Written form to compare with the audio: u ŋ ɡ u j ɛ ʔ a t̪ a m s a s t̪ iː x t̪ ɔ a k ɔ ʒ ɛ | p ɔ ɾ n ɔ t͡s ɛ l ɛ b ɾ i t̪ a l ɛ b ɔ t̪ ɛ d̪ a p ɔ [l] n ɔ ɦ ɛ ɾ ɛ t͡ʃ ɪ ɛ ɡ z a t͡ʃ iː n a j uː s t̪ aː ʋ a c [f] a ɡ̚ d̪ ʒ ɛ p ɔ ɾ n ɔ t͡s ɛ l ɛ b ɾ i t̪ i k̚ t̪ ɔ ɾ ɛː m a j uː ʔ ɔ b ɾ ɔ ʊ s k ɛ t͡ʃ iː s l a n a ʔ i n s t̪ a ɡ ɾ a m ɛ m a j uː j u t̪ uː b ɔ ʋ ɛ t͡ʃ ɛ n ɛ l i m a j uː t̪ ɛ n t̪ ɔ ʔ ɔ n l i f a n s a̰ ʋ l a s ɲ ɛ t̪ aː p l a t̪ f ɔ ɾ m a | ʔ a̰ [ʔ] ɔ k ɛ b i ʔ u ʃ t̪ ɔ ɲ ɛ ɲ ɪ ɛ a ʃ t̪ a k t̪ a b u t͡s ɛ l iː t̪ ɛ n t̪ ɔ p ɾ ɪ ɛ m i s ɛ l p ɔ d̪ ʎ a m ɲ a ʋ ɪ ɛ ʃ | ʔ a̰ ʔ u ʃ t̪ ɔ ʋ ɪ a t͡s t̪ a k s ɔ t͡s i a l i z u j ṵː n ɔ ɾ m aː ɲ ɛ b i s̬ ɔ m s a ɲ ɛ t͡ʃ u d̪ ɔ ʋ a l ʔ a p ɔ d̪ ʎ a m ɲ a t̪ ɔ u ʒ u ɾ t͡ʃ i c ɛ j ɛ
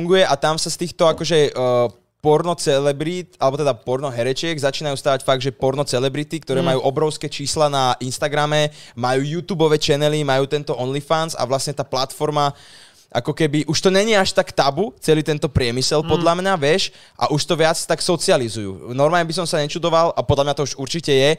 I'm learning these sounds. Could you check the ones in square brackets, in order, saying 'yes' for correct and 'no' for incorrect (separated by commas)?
no, yes, no